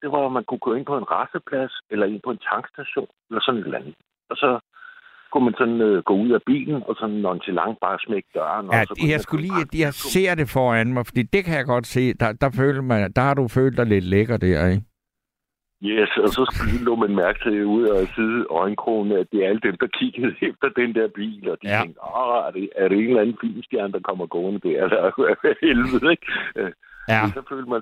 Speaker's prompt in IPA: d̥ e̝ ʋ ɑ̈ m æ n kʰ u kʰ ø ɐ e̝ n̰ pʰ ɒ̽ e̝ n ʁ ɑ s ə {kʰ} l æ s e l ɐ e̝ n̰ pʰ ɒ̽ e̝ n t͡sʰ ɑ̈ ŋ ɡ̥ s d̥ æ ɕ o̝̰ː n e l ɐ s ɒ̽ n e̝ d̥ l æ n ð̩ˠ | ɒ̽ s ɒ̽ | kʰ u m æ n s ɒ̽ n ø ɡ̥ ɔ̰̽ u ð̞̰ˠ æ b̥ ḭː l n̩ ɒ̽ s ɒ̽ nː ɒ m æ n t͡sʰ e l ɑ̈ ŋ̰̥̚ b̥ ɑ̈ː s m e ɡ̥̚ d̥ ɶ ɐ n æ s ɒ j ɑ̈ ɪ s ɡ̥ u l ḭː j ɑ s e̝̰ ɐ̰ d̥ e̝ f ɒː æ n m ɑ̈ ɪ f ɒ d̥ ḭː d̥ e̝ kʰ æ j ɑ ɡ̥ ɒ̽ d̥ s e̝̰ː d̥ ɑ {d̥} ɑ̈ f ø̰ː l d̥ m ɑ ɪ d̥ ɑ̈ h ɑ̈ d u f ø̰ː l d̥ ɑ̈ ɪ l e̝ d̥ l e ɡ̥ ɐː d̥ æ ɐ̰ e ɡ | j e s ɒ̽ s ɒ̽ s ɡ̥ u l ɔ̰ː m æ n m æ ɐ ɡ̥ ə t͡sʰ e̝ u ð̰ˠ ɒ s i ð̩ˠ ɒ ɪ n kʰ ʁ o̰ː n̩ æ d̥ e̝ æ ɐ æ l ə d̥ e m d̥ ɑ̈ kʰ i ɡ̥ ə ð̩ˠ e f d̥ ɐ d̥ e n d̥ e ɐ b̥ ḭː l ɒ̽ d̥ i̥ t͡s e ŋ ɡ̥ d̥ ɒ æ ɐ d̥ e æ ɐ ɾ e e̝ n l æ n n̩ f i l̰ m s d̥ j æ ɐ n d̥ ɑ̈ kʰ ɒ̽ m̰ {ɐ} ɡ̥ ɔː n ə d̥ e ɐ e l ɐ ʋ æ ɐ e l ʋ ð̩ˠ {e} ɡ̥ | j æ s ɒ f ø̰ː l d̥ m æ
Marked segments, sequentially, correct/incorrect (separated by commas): incorrect, correct, correct, correct